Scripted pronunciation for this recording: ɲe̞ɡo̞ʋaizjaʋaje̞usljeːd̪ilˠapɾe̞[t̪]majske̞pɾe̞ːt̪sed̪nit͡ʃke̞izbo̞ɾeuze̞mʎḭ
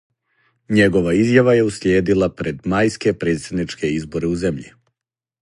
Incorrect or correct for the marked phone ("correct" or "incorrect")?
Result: incorrect